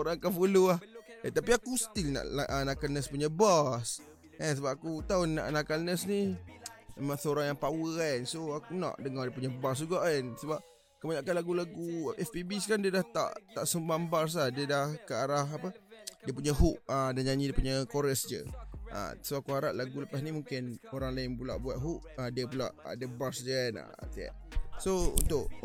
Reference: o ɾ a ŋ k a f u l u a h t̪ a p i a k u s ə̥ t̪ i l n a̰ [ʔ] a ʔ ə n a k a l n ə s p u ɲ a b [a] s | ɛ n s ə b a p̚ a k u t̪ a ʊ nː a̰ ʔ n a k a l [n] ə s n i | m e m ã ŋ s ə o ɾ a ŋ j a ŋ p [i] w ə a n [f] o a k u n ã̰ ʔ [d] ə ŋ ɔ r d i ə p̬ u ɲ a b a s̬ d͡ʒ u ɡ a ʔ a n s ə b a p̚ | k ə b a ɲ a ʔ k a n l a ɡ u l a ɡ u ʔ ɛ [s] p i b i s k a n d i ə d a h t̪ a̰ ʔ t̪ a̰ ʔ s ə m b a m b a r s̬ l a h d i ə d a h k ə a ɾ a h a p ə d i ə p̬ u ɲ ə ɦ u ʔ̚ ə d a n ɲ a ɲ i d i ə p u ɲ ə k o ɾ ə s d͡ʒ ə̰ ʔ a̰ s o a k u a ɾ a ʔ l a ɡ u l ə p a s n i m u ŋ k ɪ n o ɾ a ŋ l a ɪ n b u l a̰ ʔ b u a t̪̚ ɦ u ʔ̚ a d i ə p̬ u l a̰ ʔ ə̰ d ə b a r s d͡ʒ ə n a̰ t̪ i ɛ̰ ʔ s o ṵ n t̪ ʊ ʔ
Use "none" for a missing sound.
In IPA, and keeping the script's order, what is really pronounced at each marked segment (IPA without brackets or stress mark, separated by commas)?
ʔ, a, n, a, s, d, f